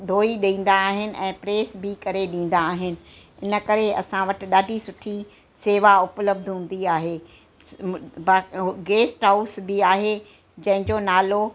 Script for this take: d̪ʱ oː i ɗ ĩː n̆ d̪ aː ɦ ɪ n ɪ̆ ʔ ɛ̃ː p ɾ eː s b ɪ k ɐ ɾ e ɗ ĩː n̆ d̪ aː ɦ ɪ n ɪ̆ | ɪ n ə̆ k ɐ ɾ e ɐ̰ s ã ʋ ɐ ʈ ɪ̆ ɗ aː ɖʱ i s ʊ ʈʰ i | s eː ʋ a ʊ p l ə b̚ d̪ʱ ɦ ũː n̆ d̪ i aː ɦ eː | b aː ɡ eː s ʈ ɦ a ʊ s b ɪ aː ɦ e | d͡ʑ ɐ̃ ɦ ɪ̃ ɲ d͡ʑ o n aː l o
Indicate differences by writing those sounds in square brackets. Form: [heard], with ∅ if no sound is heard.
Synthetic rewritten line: d̪ʱ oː i ɗ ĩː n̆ d̪ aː ɦ ɪ n ɪ̆ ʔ ɛ̃ː p ɾ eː s b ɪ k ɐ ɾ e ɗ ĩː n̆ d̪ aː ɦ ɪ n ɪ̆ | ɪ n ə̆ k ɐ ɾ e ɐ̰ s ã ʋ ɐ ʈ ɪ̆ ɗ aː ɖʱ i s ʊ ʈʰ i | s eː ʋ a ʊ p l ə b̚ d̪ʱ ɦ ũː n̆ d̪ i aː ɦ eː | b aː ɡ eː s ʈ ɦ a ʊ s b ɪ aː ɦ e | d͡ʑ ɐ̃ ɦ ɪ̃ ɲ d͡ʑ o n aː l o